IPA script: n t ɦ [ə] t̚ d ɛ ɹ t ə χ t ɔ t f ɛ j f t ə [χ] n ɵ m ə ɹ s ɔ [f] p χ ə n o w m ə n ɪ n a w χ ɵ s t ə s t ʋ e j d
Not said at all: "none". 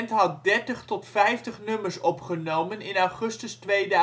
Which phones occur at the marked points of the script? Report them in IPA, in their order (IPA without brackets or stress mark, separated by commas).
ɑ, χ, none